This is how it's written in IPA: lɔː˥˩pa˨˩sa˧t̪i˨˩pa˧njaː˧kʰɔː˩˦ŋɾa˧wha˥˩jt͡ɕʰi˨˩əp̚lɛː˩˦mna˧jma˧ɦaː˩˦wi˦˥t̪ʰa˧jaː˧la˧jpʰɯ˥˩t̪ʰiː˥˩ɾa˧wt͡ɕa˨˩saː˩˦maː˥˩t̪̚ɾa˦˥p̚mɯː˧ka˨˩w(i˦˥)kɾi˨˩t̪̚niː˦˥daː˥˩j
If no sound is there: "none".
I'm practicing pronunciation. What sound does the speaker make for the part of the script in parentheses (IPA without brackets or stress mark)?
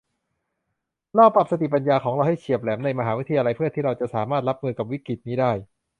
i˦˥